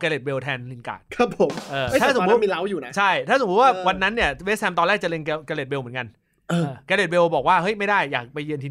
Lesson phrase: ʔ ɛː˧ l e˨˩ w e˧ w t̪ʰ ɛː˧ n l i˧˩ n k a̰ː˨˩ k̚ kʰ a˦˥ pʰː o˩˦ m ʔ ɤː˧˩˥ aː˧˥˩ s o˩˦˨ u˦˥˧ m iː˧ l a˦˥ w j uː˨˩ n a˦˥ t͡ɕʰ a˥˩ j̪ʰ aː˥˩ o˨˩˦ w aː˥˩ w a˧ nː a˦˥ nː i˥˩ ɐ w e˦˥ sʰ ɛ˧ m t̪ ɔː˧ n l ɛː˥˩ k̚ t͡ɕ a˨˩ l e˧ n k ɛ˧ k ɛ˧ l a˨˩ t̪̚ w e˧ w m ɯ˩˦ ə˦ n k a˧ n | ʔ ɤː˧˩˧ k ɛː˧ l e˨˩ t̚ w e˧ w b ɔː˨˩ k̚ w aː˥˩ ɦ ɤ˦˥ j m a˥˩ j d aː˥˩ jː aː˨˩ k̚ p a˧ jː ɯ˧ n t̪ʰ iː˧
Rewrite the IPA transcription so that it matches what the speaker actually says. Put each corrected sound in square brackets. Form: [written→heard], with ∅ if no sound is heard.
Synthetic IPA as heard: [ʔ→k] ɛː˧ l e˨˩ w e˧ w t̪ʰ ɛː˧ n l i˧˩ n k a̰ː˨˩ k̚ kʰ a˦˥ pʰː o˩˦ m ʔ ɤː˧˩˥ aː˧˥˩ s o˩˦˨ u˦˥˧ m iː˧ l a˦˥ w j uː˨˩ n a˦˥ t͡ɕʰ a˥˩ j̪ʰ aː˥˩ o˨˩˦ w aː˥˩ w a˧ nː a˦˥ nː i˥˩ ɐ w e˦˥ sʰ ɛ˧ m t̪ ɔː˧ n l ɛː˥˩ k̚ t͡ɕ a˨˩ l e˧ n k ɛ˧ k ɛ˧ l [a˨˩→e˨˩] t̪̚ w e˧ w m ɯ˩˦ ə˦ n k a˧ n | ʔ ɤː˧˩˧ k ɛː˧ l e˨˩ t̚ w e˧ w b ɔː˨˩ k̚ w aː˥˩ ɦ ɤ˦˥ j m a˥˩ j d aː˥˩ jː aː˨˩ k̚ p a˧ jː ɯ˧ n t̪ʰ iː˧